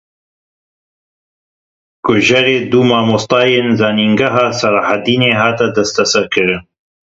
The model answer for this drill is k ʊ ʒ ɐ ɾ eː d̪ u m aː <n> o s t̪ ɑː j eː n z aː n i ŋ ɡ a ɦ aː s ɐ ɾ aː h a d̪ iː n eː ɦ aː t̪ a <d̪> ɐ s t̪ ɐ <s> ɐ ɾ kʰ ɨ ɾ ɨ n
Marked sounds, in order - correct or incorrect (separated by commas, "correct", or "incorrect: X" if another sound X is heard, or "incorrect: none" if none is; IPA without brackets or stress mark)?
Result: incorrect: m, correct, correct